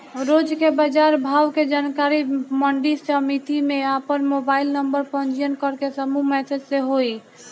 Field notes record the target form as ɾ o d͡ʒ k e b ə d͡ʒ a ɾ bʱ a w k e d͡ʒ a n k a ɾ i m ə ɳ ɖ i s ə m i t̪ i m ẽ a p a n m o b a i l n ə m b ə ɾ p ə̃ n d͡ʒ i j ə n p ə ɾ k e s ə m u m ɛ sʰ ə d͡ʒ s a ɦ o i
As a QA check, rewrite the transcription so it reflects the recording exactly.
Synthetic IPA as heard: ɾ o d͡ʒ k e b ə d͡ʒ a ɾ bʱ a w k e d͡ʒ a n k a ɾ i m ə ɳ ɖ i s ə m i t̪ i m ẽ a p ə n m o b a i l n ə m b ə ɾ p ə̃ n d͡ʒ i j ə n k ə ɾ k e s ə m u m ɛ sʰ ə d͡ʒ s e ɦ o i